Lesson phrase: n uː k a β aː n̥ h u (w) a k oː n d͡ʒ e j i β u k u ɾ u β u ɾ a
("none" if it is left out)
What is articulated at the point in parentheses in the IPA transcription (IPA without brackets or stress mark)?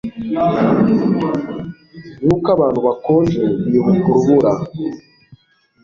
β